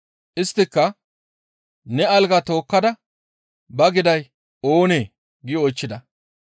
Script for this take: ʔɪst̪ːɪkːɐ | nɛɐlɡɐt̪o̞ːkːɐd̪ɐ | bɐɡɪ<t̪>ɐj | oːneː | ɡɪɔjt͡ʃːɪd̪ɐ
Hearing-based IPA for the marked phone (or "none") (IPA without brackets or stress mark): d̪